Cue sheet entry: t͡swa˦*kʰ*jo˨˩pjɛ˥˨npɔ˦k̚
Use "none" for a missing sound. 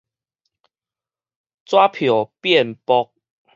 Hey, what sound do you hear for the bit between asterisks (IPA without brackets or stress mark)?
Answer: pʰ